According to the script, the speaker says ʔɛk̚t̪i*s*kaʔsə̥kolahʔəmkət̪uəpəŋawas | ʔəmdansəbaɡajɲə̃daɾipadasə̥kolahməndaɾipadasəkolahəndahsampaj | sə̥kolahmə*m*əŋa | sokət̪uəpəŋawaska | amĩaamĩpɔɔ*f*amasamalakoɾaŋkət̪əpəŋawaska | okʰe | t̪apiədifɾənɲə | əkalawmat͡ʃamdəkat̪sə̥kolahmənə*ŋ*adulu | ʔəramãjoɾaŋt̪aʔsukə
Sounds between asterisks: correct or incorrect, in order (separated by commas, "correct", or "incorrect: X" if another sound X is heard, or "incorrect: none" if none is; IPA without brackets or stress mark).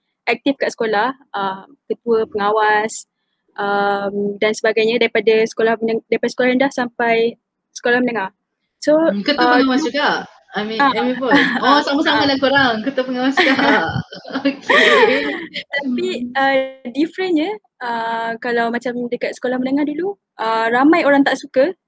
incorrect: f, incorrect: n, incorrect: s, correct